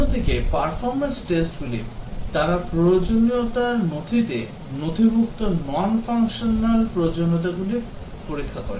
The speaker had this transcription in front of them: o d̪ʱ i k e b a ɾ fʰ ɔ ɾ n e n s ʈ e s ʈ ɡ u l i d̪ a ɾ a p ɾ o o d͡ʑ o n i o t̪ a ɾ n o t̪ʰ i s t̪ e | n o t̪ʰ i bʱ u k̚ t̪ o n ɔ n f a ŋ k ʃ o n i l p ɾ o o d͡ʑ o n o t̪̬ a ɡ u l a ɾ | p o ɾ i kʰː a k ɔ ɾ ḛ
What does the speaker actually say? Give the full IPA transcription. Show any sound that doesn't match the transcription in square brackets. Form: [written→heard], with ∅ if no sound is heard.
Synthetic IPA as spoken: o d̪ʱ i k e [b→p] a ɾ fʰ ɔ ɾ [n→m] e n s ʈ e s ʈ ɡ u l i [d̪→t̪] a ɾ a p ɾ o o d͡ʑ o n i o t̪ a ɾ n o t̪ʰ i [s→∅] t̪ e | n o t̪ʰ i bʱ u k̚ t̪ o n ɔ n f a ŋ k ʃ o n [i→a] l p ɾ o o d͡ʑ o n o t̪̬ a ɡ u l [a→i] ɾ | p o ɾ i kʰː a k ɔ ɾ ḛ